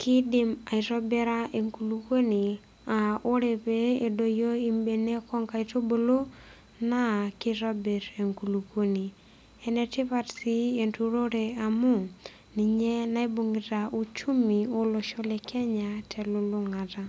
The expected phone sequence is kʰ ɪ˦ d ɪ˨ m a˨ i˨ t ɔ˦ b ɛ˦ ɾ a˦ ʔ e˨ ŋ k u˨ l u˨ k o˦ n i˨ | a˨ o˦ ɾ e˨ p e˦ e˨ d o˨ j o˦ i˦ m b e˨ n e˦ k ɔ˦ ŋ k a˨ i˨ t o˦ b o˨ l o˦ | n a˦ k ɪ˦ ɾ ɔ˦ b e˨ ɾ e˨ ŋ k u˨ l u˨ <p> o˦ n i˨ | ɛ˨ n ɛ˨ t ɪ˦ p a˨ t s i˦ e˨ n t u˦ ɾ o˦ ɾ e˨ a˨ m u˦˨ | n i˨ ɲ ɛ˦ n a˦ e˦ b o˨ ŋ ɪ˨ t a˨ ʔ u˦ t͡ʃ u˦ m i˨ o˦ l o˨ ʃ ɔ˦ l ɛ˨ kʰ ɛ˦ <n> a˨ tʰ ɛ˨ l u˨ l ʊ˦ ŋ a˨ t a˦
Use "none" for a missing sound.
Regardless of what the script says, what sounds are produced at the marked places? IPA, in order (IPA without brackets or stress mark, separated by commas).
k, ɲ